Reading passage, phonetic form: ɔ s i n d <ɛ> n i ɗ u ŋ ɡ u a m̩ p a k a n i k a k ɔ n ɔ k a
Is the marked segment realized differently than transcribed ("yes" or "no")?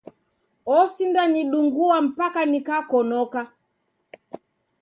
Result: yes